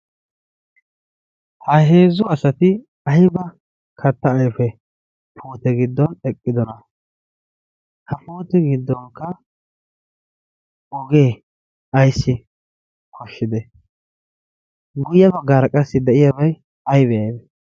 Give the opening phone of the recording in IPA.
h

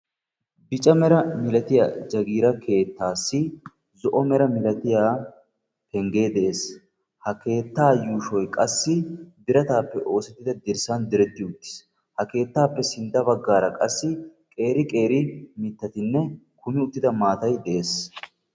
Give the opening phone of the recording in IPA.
b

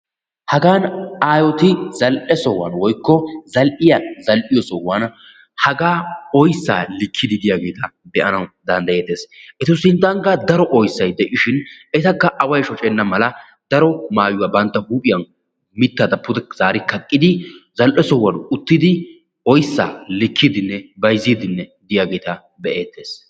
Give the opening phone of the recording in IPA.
h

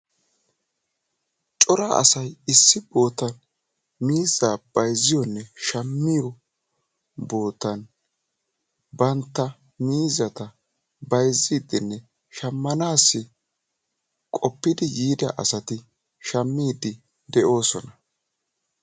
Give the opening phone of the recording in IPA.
t͡ʃʼ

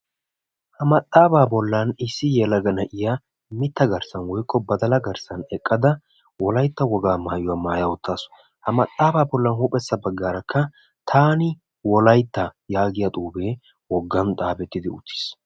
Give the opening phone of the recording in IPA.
h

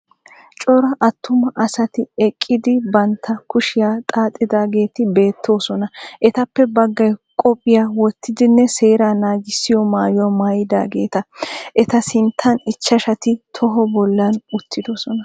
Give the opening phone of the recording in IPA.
t͡ʃʼ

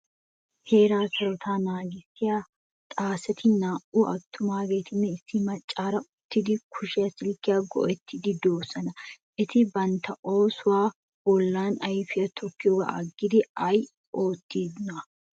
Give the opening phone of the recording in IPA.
h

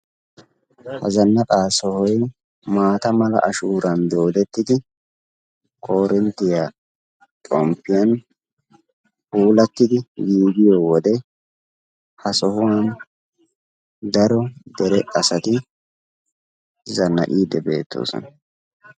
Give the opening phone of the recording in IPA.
h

